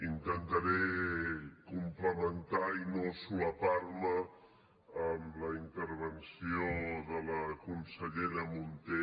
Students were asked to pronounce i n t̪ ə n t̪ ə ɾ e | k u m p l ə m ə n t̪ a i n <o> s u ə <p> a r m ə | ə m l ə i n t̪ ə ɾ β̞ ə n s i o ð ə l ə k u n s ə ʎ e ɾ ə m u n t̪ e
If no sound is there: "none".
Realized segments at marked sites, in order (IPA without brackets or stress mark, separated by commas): o, p